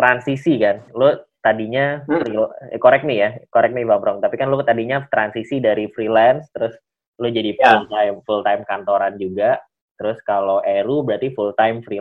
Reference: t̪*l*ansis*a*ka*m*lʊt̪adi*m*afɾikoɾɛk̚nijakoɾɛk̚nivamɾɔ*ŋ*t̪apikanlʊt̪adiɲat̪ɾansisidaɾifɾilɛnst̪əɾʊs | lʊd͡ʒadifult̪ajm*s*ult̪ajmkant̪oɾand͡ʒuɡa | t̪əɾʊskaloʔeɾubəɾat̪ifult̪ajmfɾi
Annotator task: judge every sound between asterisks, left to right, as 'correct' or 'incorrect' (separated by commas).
incorrect, incorrect, incorrect, incorrect, correct, incorrect